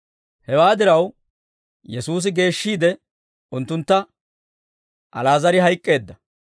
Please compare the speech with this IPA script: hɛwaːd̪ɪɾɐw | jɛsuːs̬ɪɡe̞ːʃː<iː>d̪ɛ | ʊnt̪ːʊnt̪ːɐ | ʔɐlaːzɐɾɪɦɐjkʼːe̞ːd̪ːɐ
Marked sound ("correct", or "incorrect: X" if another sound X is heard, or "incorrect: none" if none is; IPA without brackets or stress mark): correct